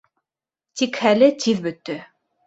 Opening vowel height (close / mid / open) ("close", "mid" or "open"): close